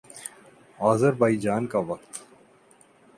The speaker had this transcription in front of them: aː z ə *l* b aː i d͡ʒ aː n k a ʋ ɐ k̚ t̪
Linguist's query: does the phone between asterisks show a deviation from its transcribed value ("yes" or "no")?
yes